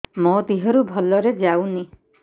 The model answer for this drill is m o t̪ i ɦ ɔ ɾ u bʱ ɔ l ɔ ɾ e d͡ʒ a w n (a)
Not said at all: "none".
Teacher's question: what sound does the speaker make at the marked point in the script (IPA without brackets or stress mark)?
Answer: i